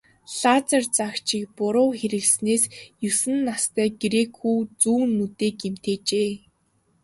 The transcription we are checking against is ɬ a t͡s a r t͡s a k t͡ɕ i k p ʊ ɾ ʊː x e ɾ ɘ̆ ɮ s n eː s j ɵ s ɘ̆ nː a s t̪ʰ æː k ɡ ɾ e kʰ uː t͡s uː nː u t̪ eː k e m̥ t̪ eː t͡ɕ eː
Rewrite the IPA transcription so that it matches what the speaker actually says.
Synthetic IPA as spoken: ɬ a t͡s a r t͡s a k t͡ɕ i k p ʊ ɾ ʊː x e ɾ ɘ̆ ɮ s n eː s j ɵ s ɘ̆ nː a s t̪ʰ æː ɡ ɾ e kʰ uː t͡s uː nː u t̪ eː k e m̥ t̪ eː t͡ɕ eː